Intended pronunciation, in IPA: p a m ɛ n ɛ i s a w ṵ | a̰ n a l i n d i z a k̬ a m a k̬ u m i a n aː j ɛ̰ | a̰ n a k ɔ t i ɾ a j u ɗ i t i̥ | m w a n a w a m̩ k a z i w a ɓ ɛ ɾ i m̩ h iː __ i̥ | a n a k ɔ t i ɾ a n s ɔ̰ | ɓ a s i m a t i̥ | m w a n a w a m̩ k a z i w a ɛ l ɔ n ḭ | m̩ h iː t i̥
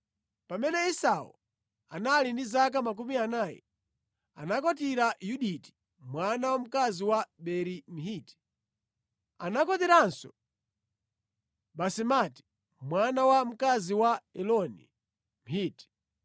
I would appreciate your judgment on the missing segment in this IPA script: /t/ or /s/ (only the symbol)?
t